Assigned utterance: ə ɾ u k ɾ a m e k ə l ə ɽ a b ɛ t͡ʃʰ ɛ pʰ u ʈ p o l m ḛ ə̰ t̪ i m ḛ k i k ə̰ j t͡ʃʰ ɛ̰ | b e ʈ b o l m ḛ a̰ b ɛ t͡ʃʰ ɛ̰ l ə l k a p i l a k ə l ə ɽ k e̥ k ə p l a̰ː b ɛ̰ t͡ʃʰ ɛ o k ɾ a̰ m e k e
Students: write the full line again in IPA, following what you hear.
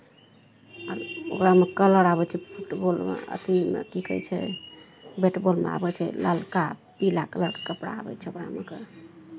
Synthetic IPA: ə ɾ o k ɾ a m e k ə l ə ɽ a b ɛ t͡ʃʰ ɛ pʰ u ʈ b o l m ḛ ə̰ t̪ i m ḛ k i k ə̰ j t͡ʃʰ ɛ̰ | b e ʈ b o l m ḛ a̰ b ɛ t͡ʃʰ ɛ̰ l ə l k a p i l a k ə l ə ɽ k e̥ k ə p ɽ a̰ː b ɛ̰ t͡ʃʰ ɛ o k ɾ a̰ m e k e